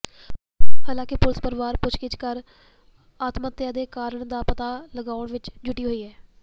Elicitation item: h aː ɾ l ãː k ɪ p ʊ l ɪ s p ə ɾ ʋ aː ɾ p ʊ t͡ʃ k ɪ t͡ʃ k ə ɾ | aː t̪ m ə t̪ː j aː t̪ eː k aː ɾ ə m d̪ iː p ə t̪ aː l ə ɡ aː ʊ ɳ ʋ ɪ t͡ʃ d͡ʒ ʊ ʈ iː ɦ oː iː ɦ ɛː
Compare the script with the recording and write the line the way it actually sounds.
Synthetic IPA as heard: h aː l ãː k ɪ p ʊ l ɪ s p ə ɾ ʋ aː ɾ p ʊ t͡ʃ k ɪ t͡ʃ k ə ɾ | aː t̪ m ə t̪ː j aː d̪ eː k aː ɾ ə ɳ d̪ aː p ə t̪ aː l ə ɡ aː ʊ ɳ ʋ ɪ t͡ʃ d͡ʒ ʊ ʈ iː ɦ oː iː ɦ ɛː